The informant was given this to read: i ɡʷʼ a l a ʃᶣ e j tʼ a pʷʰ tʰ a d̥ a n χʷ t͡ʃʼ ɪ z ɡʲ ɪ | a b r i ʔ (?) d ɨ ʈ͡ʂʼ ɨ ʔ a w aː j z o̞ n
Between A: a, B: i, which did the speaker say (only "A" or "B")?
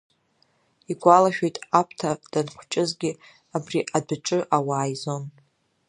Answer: A